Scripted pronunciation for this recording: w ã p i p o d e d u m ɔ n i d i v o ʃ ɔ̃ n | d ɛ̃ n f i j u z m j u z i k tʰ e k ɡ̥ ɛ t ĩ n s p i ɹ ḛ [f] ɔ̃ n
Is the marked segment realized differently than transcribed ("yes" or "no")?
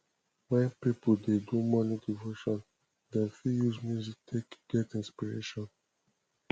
yes